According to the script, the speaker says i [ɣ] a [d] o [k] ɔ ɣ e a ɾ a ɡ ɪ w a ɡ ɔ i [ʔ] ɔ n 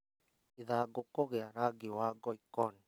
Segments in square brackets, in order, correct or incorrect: incorrect, incorrect, correct, incorrect

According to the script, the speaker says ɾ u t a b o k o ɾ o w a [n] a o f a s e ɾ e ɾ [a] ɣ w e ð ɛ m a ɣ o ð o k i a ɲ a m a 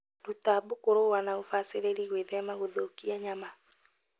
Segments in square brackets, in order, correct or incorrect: correct, incorrect

